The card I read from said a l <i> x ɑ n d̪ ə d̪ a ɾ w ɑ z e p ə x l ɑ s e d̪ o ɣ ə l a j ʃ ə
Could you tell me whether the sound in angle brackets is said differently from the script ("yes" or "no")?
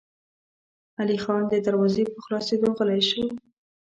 no